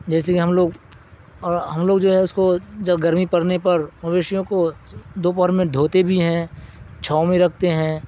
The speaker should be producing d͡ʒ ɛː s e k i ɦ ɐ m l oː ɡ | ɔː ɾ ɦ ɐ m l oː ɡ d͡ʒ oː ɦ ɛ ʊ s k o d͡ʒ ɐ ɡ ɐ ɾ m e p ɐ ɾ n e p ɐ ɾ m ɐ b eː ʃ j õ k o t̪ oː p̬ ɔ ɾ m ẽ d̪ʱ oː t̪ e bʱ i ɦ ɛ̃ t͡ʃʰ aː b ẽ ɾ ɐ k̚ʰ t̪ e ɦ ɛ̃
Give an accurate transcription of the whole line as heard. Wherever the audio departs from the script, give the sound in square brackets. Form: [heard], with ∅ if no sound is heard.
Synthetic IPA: d͡ʒ ɛː s e k i ɦ ɐ m l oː ɡ | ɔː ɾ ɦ ɐ m l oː ɡ d͡ʒ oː ɦ ɛ ʊ s k o d͡ʒ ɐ ɡ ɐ ɾ m [i] p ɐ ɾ n e p ɐ ɾ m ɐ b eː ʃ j õ k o [d̪] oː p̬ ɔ ɾ m ẽ d̪ʱ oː t̪ e bʱ i ɦ ɛ̃ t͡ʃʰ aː [m] ẽ ɾ ɐ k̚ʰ t̪ e ɦ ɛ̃

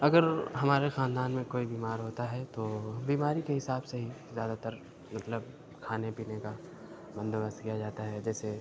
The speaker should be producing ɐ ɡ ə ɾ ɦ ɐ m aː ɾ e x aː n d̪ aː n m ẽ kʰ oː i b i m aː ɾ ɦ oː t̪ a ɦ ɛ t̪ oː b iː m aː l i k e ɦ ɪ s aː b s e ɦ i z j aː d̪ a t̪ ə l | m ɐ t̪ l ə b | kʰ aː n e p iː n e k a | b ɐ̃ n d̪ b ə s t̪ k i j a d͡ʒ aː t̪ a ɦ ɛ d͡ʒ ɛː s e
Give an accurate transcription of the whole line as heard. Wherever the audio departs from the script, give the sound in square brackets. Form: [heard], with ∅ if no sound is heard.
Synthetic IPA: ɐ ɡ ə ɾ ɦ ɐ m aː ɾ e x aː n d̪ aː n m ẽ [k] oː i b [iː] m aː ɾ ɦ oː t̪ a ɦ ɛ t̪ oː b iː m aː [ɾ] i k e ɦ ɪ s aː b s e ɦ i z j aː d̪ a t̪ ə [ɾ] | m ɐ t̪ l ə b | kʰ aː n e p iː n e k a | b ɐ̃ n d̪ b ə s t̪ k i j a d͡ʒ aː t̪ a ɦ ɛ d͡ʒ ɛː s e

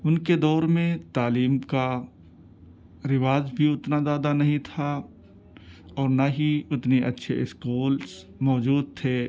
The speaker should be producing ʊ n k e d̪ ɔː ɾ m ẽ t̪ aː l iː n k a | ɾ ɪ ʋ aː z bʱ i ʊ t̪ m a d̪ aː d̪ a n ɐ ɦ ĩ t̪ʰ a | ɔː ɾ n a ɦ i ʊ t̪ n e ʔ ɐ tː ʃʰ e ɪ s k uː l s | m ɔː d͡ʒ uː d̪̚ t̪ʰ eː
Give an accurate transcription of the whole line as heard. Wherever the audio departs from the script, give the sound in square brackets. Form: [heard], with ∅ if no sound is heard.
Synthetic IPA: ʊ n k e d̪ ɔː ɾ m ẽ t̪ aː l iː [m] k a | ɾ ɪ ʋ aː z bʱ i ʊ t̪ [n] a d̪ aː d̪ a n ɐ ɦ ĩ t̪ʰ a | ɔː ɾ n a ɦ i ʊ t̪ n e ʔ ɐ tː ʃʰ e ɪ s k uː l s | m ɔː d͡ʒ uː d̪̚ t̪ʰ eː

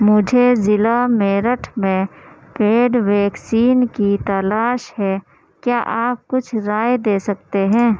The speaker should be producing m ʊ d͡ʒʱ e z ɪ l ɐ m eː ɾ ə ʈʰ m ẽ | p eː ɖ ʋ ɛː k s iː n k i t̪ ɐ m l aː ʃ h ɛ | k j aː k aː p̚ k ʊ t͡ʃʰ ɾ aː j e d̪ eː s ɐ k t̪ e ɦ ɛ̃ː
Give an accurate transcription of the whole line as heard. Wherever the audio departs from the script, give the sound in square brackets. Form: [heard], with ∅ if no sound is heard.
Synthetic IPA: m ʊ d͡ʒʱ e z ɪ l [a] m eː ɾ ə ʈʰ m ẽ | p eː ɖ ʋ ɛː k s iː n k i t̪ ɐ [∅] l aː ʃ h ɛ | k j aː [ʔ] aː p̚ k ʊ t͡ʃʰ ɾ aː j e d̪ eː s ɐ k t̪ e ɦ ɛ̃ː

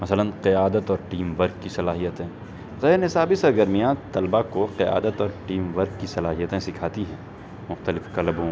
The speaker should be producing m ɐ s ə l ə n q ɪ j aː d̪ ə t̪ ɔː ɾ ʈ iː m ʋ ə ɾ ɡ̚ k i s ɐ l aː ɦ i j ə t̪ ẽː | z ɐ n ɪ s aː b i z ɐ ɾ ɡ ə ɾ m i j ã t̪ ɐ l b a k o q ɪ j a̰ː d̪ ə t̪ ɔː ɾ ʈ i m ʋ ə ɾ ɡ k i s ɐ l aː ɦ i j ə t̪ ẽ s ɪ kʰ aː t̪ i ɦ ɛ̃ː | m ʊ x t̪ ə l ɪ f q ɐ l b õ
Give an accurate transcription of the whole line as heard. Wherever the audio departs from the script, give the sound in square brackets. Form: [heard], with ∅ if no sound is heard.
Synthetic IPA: m ɐ s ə l ə n q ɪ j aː d̪ ə t̪ ɔː ɾ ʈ iː m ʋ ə ɾ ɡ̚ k i s ɐ l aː ɦ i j ə t̪ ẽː | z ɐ n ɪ s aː b i [s] ɐ ɾ ɡ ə ɾ m i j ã t̪ ɐ l b a k o q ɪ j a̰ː d̪ ə t̪ ɔː ɾ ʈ [iː] m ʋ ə ɾ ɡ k i s ɐ l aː ɦ i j ə t̪ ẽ s ɪ kʰ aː t̪ i ɦ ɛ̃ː | m ʊ x t̪ ə l ɪ f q ɐ l b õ

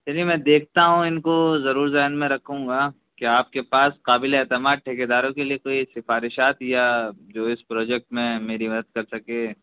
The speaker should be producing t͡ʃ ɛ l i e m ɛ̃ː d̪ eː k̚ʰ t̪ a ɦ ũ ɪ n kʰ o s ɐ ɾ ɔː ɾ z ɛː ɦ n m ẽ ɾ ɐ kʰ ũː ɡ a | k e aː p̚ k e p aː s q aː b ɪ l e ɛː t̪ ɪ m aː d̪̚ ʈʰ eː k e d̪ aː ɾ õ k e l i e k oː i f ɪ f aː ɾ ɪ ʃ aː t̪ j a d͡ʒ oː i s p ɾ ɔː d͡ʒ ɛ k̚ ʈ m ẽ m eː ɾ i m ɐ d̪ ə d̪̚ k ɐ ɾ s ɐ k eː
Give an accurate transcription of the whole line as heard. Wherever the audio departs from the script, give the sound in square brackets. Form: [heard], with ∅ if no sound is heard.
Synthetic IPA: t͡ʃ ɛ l i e m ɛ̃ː d̪ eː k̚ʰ t̪ a ɦ ũ ɪ n [k] o [z] ɐ ɾ [uː] ɾ z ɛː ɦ n m ẽ ɾ ɐ kʰ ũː ɡ a | k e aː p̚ k e p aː s q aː b ɪ l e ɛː t̪ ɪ m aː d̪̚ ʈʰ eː k e d̪ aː ɾ õ k e l i e k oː i [s] ɪ f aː ɾ ɪ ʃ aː t̪ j a d͡ʒ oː [ɪ] s p ɾ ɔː d͡ʒ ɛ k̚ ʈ m ẽ m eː ɾ i m ɐ d̪ ə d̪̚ k ɐ ɾ s ɐ k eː

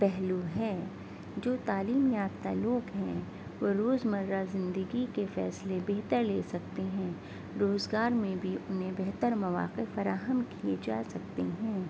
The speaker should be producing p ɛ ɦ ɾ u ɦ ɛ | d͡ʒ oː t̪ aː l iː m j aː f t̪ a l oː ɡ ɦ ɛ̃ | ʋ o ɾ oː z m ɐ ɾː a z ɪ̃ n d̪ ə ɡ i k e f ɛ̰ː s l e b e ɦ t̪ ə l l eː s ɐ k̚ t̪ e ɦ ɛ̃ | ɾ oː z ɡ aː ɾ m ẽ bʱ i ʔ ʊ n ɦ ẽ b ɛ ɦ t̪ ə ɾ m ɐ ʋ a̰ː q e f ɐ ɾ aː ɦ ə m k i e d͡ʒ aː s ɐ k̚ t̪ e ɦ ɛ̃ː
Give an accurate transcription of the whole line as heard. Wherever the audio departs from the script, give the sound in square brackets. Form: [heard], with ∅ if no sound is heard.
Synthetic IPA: p ɛ ɦ [l] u ɦ ɛ | d͡ʒ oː t̪ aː l iː m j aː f t̪ a l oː ɡ ɦ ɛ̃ | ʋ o ɾ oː z m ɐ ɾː a z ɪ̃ n d̪ ə ɡ i k e f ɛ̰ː s l e b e ɦ t̪ ə [ɾ] l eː s ɐ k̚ t̪ e ɦ ɛ̃ | ɾ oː z ɡ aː ɾ m ẽ bʱ i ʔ ʊ n ɦ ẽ b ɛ ɦ t̪ ə ɾ m ɐ ʋ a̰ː q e f ɐ ɾ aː ɦ ə m k i e d͡ʒ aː s ɐ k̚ t̪ e ɦ ɛ̃ː

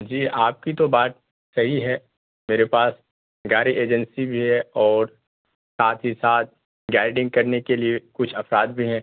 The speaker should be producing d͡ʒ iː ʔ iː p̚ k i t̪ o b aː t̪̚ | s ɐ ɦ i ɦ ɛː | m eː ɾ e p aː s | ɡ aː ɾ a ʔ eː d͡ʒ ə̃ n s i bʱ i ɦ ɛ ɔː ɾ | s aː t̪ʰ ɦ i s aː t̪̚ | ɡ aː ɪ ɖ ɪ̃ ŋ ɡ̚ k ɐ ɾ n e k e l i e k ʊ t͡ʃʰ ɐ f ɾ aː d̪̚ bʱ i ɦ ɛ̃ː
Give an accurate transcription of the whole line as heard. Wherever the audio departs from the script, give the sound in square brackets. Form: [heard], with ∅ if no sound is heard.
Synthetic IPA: d͡ʒ iː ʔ [aː] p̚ k i t̪ o b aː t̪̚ | s ɐ ɦ i ɦ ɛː | m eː ɾ e p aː s | ɡ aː ɾ [i] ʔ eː d͡ʒ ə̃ n s i bʱ i ɦ ɛ ɔː ɾ | s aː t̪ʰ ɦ i s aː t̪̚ | ɡ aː ɪ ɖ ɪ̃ ŋ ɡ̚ k ɐ ɾ n e k e l i e k ʊ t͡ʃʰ ɐ f ɾ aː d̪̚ bʱ i ɦ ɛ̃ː

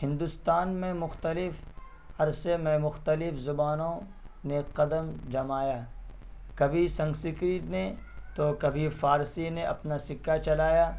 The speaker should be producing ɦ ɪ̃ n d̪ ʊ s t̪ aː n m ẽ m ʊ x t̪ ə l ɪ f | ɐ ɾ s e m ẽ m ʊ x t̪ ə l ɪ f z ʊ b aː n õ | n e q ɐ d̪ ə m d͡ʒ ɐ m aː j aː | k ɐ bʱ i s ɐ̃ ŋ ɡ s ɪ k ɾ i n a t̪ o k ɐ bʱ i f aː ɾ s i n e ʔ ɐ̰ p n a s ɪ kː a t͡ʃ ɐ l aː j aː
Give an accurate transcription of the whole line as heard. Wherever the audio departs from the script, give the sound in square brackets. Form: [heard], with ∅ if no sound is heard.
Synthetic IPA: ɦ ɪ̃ n d̪ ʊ s t̪ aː n m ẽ m ʊ x t̪ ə l ɪ f | ɐ ɾ s e m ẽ m ʊ x t̪ ə l ɪ f z ʊ b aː n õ | n e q ɐ d̪ ə m d͡ʒ ɐ m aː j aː | k ɐ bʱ i s ɐ̃ ŋ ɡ s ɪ k ɾ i n [e] t̪ o k ɐ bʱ i f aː ɾ s i n e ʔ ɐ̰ p n a s ɪ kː a t͡ʃ ɐ l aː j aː

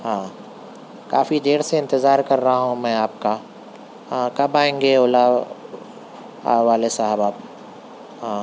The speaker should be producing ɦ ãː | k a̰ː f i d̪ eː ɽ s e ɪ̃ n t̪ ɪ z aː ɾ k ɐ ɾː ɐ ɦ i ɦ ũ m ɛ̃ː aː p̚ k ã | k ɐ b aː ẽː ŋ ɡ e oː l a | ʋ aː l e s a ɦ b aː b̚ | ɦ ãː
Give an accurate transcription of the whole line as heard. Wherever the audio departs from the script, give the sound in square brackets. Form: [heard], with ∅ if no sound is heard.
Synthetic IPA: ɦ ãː | k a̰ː f i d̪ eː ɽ s e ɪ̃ n t̪ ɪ z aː ɾ k ɐ ɾː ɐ ɦ [a] ɦ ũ m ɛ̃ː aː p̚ k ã | k ɐ b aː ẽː ŋ ɡ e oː l a | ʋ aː l e s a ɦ b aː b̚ | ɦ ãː

